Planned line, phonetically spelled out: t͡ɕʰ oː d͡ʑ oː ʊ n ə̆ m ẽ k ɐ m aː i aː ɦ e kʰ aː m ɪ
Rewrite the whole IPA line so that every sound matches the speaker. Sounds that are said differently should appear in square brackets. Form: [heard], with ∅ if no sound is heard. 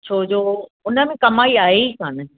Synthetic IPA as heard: t͡ɕʰ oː d͡ʑ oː ʊ n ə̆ m ẽ k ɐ m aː i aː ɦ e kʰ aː [n] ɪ